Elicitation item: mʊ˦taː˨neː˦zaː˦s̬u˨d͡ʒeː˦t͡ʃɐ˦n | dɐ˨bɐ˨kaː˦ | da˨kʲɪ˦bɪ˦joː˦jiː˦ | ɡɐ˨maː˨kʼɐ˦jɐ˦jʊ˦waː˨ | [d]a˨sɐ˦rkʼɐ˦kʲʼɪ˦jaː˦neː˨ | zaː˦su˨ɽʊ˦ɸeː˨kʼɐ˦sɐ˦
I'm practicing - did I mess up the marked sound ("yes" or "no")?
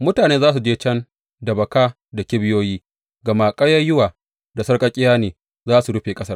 no